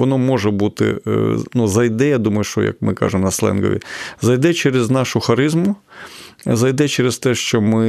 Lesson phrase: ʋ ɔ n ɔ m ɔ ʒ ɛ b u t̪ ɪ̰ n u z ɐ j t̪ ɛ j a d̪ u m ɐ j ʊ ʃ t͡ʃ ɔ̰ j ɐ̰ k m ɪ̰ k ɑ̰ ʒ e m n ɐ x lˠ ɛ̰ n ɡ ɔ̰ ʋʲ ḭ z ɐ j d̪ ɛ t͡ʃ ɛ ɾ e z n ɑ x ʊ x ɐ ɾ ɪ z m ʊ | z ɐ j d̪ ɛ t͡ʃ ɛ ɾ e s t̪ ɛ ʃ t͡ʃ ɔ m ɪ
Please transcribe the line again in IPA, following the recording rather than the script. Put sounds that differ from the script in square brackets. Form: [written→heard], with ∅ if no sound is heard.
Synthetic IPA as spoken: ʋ ɔ n ɔ m ɔ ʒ ɛ b u t̪ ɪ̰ n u z ɐ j [t̪→d̪] ɛ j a d̪ u m ɐ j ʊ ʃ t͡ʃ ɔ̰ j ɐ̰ k m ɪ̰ k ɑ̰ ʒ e m n ɐ [x→s] lˠ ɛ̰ n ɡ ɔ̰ ʋʲ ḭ z ɐ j d̪ ɛ t͡ʃ ɛ ɾ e z n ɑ [x→ʃ] ʊ x ɐ ɾ ɪ z m ʊ | z ɐ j d̪ ɛ t͡ʃ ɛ ɾ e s t̪ ɛ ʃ t͡ʃ ɔ m ɪ